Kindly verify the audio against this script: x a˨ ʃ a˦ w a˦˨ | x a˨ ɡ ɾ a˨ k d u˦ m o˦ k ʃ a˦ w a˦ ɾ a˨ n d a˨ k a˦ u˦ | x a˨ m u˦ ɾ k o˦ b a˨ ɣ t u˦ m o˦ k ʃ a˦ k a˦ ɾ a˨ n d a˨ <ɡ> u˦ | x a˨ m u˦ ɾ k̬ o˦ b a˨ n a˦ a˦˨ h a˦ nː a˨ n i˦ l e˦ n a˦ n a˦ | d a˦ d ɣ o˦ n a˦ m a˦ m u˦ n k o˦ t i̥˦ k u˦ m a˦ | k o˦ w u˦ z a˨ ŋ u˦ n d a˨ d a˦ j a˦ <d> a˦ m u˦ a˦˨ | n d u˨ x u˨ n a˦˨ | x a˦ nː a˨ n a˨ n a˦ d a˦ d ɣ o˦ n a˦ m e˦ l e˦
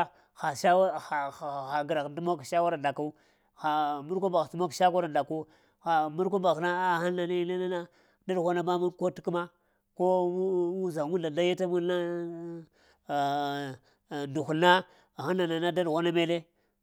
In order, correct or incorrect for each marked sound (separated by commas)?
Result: incorrect, incorrect